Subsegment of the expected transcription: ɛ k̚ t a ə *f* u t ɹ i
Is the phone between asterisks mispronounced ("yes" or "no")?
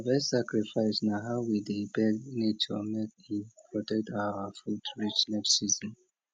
no